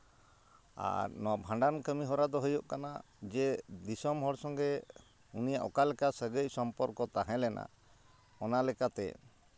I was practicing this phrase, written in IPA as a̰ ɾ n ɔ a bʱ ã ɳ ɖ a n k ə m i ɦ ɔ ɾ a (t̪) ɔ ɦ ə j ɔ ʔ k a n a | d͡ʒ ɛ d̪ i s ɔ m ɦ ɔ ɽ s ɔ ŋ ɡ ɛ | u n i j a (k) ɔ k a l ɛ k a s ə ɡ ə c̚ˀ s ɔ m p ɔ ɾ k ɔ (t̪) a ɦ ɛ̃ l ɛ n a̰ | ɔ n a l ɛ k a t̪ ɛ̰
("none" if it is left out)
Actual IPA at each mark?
d̪, ʔ, t̪

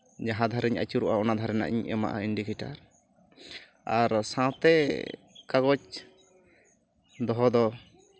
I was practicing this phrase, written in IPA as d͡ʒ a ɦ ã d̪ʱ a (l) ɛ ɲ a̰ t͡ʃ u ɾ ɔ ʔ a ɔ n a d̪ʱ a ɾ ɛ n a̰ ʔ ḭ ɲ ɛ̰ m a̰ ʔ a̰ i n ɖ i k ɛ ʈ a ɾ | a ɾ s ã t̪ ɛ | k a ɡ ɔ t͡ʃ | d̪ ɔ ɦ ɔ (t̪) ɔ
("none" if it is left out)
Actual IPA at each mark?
ɾ, d̪

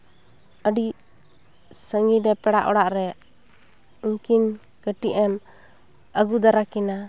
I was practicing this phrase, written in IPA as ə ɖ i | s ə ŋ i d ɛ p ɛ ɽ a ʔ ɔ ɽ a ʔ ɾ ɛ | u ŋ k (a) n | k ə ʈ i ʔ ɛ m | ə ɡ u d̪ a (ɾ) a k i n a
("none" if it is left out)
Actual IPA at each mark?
i, ɾ

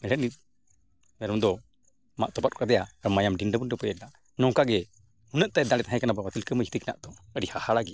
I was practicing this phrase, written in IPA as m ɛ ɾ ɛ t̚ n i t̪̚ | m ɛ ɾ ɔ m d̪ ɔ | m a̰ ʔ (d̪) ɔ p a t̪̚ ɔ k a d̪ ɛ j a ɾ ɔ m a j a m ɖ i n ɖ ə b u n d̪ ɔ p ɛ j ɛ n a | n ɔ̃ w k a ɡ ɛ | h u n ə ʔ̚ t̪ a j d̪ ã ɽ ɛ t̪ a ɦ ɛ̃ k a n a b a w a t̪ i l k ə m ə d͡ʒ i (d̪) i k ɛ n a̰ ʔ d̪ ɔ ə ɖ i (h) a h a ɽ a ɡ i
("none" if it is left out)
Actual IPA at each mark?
t̪, t̪, h

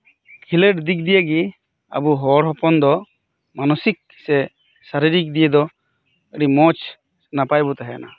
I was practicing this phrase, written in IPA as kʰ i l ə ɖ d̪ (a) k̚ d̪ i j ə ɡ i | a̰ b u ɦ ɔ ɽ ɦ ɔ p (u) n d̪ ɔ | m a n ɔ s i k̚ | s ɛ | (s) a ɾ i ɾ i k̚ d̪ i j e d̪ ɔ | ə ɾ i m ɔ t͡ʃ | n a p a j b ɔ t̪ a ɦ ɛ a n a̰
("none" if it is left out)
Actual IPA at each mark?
i, ɔ, s

